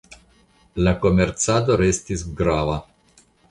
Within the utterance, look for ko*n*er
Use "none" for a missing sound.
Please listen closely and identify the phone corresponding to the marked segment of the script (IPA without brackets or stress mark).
m